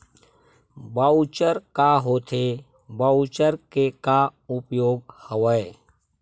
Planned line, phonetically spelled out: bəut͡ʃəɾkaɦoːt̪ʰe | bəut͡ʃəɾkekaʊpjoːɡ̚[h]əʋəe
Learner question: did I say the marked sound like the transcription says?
yes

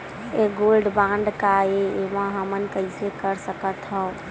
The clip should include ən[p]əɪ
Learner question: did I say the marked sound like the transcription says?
no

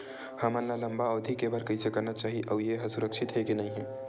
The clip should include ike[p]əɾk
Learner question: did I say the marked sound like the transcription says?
no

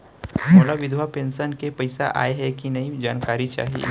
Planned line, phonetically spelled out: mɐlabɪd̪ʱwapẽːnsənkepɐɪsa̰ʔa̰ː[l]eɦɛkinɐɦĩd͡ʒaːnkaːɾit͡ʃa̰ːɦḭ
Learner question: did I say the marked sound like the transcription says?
no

